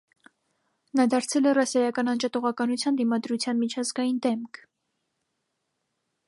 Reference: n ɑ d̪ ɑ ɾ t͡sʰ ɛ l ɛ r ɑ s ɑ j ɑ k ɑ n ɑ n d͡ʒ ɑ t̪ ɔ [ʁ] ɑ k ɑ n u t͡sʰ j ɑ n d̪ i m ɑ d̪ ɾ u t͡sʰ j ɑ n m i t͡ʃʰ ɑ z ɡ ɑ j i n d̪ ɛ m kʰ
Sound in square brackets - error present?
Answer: no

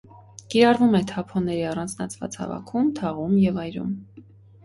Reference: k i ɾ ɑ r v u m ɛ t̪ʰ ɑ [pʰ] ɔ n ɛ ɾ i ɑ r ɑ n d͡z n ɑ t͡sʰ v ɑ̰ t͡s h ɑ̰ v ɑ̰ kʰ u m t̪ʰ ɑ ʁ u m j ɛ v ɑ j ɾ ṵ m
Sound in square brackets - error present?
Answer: no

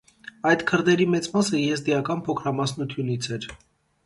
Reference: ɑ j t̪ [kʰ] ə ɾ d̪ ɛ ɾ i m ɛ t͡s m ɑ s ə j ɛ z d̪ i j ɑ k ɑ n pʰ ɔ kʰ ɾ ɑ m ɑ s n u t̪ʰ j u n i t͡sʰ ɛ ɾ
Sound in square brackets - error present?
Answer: no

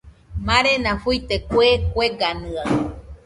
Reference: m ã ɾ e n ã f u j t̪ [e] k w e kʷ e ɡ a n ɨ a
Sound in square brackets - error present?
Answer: no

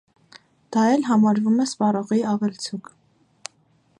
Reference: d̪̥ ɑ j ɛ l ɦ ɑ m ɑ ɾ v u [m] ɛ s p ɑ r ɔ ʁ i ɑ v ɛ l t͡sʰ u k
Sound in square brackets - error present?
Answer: no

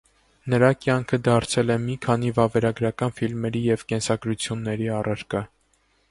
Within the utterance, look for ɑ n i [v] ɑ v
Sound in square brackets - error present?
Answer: no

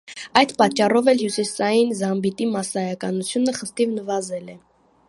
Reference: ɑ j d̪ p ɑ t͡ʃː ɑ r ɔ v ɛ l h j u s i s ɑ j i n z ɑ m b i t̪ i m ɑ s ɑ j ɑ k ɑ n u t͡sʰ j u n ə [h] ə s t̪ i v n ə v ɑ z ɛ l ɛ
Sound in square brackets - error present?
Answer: yes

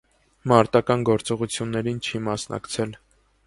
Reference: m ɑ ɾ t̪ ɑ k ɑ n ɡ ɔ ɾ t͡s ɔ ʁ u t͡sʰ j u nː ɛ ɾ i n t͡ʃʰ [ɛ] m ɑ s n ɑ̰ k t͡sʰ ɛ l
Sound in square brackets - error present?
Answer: yes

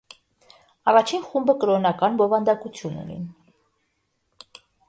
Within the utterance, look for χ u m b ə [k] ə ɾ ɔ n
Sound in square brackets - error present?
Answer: no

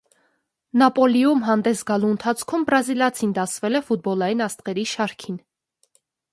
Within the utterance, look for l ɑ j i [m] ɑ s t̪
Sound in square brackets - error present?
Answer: yes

